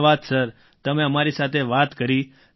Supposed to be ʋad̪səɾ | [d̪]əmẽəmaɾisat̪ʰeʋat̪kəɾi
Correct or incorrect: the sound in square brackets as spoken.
incorrect: t̪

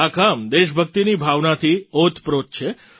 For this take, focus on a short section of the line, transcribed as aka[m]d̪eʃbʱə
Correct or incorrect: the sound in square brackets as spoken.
correct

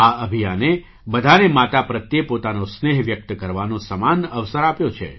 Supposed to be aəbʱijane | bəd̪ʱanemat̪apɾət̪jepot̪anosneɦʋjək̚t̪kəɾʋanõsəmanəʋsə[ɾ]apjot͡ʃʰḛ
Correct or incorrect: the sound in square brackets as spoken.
correct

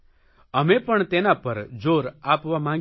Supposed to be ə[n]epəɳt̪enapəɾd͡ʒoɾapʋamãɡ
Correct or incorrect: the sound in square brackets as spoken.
incorrect: m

